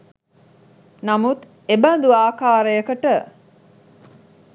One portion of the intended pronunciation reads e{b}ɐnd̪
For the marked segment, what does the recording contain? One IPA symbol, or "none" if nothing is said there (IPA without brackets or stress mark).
b